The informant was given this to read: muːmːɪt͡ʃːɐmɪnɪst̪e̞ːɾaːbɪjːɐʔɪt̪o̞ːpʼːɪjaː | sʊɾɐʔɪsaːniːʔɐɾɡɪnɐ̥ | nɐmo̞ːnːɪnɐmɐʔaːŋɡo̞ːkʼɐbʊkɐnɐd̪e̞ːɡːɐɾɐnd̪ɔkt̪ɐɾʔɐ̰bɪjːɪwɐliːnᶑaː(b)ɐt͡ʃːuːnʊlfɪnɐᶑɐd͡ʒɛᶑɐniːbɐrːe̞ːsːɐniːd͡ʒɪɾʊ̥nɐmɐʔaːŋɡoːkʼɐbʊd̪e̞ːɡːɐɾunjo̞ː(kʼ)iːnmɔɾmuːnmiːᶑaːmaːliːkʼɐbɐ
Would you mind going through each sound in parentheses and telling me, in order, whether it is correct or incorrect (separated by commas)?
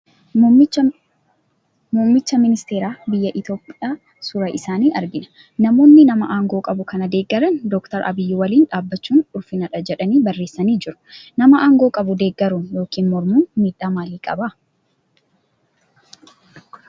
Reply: incorrect, incorrect